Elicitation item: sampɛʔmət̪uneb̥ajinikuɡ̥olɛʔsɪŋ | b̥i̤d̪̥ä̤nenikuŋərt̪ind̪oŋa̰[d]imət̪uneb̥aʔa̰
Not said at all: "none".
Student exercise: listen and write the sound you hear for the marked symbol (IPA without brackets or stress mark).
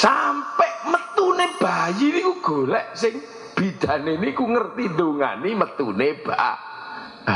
n